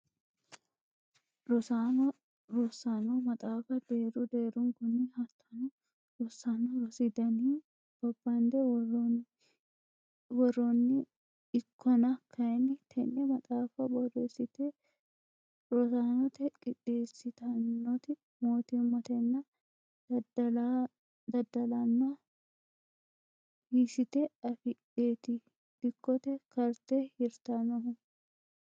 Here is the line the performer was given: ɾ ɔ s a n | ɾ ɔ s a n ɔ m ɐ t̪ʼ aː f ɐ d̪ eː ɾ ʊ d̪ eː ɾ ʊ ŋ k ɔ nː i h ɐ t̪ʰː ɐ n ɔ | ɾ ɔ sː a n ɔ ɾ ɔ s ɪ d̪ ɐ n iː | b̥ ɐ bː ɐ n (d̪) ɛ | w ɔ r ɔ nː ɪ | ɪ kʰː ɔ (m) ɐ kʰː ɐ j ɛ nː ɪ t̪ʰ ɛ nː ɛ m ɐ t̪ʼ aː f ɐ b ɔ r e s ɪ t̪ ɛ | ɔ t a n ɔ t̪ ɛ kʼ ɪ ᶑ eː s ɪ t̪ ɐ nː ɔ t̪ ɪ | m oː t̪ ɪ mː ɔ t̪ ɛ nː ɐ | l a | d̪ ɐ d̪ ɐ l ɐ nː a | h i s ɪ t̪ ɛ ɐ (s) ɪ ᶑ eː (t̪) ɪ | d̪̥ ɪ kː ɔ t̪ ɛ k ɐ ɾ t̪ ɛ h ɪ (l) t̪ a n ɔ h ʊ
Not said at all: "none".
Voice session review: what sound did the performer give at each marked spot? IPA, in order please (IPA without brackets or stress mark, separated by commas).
d̪, n, f, t̪, ɾ